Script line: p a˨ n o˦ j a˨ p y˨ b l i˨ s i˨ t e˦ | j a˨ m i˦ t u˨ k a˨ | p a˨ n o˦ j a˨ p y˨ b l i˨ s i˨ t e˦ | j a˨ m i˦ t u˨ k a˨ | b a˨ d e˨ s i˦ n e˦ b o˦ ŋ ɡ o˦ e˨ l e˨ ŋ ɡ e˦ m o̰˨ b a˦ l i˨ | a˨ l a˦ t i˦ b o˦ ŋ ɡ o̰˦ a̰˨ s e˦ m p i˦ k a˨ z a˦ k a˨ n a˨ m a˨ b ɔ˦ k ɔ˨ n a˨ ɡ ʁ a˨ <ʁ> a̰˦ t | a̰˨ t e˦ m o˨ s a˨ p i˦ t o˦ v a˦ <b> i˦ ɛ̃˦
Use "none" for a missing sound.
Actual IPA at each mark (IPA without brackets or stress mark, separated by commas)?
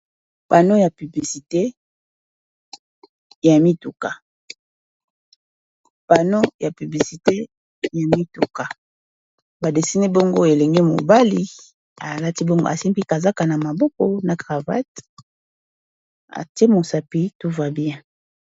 v, b